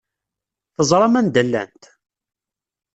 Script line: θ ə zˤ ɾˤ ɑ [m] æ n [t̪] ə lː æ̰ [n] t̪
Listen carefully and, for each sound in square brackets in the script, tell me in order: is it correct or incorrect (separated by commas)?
correct, incorrect, correct